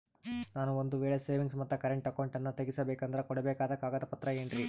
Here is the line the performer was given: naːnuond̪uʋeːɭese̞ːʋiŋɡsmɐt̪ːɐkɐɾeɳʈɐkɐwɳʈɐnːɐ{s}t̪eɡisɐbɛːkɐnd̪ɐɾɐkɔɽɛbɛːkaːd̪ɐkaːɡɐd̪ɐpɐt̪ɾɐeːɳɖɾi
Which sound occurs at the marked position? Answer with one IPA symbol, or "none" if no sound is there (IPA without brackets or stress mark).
none